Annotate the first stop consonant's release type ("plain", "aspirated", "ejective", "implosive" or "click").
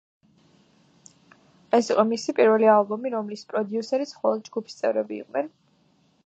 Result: ejective